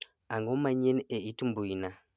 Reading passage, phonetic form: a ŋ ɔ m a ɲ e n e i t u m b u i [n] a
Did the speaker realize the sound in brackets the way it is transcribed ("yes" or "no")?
yes